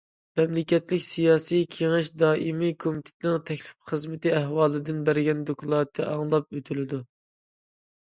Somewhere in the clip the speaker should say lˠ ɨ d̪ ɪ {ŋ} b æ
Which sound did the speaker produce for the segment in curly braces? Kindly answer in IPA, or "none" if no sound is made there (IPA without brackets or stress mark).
n